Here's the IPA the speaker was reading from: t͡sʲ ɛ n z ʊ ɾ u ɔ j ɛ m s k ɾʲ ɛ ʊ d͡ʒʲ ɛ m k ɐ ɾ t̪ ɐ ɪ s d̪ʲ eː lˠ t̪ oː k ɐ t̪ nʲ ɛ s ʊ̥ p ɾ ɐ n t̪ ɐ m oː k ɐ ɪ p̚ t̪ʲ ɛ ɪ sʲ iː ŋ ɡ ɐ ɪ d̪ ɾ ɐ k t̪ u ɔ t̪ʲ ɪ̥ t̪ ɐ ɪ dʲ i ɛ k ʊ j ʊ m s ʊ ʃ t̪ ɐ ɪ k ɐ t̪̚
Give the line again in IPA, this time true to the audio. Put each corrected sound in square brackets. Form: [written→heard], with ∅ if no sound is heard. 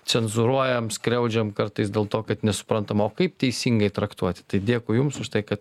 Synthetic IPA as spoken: t͡sʲ ɛ n z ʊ ɾ u ɔ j ɛ m s k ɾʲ ɛ ʊ d͡ʒʲ ɛ m k ɐ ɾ t̪ ɐ ɪ s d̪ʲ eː lˠ t̪ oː k ɐ t̪ nʲ ɛ s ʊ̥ p ɾ ɐ n t̪ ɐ m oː k ɐ ɪ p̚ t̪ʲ ɛ ɪ sʲ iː ŋ ɡ ɐ ɪ [d̪→t̪] ɾ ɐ k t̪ u ɔ t̪ʲ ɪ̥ t̪ ɐ ɪ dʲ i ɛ k ʊ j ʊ m s ʊ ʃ t̪ ɐ ɪ k ɐ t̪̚